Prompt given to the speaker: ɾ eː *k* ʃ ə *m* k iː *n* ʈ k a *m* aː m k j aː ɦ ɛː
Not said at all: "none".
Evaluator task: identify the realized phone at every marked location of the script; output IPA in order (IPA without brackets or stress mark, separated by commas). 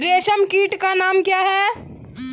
none, m, none, n